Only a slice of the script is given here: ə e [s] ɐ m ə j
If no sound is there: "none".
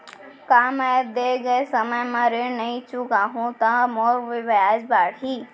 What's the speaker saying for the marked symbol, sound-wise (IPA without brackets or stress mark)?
s